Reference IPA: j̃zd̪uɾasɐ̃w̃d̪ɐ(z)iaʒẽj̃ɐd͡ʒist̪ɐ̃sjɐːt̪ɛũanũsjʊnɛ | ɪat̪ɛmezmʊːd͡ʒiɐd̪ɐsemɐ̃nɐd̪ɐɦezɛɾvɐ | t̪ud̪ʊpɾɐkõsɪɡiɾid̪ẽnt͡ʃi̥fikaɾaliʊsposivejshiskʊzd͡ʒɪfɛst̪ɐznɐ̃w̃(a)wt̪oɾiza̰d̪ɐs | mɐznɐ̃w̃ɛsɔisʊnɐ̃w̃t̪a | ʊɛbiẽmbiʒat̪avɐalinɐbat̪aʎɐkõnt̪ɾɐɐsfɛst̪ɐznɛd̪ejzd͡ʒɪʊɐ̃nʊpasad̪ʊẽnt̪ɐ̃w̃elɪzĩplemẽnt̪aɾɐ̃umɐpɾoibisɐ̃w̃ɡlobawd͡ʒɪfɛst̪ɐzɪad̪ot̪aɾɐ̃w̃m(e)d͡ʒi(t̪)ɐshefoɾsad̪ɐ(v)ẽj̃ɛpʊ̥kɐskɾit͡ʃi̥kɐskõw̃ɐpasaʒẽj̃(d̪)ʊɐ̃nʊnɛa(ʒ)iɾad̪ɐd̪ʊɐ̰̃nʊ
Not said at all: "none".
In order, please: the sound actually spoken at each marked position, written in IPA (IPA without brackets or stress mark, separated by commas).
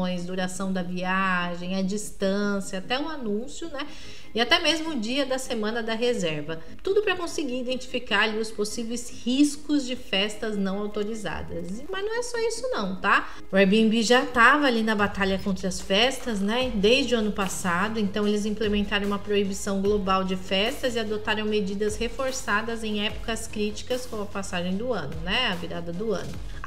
v, a, e, d̪, z, d̪, v